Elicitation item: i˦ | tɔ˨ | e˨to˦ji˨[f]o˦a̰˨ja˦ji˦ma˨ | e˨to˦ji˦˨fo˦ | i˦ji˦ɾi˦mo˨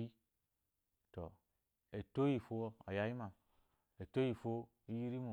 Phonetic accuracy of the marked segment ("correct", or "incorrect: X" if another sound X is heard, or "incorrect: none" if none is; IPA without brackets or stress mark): correct